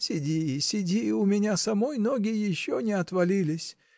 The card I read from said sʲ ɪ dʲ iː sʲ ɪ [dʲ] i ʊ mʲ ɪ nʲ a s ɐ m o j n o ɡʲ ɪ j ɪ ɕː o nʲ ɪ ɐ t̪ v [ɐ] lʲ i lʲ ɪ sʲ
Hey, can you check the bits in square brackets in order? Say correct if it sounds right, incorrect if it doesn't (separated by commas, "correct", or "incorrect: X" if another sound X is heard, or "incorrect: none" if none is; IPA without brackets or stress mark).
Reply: correct, correct